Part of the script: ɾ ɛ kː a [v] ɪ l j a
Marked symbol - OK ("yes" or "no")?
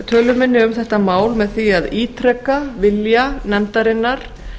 yes